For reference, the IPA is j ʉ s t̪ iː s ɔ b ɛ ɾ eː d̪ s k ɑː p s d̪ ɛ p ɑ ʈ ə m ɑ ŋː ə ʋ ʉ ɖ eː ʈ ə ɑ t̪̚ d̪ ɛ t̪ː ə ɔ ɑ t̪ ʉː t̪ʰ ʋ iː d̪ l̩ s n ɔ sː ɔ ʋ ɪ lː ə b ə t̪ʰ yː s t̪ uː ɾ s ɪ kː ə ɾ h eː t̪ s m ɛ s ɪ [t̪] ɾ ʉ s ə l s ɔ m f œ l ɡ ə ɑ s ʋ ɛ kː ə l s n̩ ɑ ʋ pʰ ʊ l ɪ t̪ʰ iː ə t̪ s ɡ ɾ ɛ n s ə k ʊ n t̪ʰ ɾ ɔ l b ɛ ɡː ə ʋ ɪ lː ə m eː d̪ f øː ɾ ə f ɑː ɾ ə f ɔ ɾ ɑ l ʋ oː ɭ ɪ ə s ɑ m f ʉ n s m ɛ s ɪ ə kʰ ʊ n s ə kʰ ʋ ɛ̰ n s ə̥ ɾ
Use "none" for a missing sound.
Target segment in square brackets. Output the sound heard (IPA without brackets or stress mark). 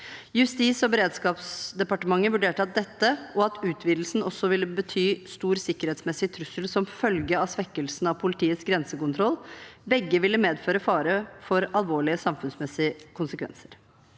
t̪ʰ